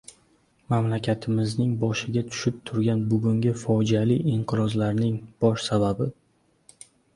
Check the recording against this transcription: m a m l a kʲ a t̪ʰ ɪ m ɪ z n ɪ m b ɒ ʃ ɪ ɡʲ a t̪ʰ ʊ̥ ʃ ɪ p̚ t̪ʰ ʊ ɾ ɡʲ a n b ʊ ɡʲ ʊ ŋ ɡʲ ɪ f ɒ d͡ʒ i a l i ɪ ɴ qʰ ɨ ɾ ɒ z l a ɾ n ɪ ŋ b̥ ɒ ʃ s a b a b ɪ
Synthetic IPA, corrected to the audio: m a m l a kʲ a t̪ʰ ɪ m ɪ z n ɪ ŋ b ɒ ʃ ɪ ɡʲ a t̪ʰ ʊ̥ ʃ ɪ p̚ t̪ʰ ʊ ɾ ɡʲ a n b ʊ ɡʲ ʊ ŋ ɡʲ ɪ f ɒ d͡ʒ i a l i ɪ ɴ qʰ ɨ ɾ ɒ z l a ɾ n ɪ ŋ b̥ ɒ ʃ s a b a b ɪ